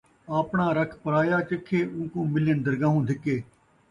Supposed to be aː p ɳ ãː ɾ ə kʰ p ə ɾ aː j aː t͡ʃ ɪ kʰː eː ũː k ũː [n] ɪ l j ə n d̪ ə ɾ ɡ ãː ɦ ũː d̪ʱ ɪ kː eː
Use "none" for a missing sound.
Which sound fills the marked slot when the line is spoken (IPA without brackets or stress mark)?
m